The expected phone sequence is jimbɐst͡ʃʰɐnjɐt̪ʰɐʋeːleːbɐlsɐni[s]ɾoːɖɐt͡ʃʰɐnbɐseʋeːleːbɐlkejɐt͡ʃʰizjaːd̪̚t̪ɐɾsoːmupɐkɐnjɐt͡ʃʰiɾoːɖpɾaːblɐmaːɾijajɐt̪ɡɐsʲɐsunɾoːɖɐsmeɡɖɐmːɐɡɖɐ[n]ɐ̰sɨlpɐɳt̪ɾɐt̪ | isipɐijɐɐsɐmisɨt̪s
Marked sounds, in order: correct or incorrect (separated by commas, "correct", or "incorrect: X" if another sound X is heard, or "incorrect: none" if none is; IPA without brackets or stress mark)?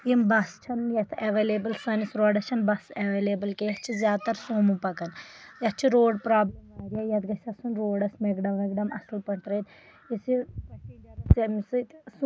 correct, incorrect: m